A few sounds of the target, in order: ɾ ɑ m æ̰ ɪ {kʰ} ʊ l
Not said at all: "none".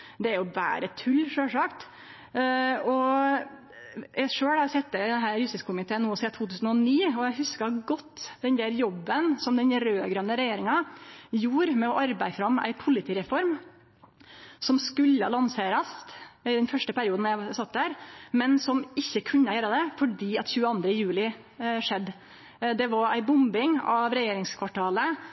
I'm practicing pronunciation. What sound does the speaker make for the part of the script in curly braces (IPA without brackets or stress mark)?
pʰ